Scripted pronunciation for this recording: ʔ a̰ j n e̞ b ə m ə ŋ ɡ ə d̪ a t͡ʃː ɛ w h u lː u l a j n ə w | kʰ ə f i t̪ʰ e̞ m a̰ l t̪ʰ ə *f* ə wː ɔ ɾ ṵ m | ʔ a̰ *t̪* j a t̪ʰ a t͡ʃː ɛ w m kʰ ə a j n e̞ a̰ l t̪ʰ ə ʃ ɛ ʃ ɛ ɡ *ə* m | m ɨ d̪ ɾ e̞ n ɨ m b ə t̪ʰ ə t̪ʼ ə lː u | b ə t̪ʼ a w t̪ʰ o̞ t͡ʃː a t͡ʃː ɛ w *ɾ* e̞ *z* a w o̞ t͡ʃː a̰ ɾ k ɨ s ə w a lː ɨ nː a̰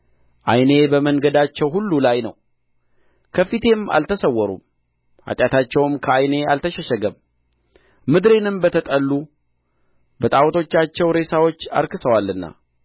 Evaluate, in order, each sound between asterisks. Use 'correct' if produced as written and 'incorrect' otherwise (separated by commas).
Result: incorrect, incorrect, correct, correct, incorrect